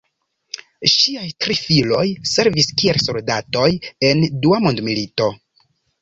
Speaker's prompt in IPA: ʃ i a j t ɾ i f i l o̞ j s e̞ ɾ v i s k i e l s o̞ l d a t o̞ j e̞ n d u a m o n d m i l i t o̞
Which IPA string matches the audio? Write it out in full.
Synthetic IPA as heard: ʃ i a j t ɾ i f i l o̞ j s e̞ ɾ v i s k i e l s o̞ l d a t o̞ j e̞ n d u a m o n d m i l i t o̞